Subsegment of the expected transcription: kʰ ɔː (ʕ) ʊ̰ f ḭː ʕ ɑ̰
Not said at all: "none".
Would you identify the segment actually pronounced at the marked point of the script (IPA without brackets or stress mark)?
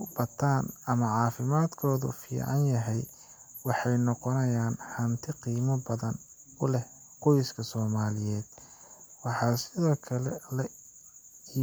ð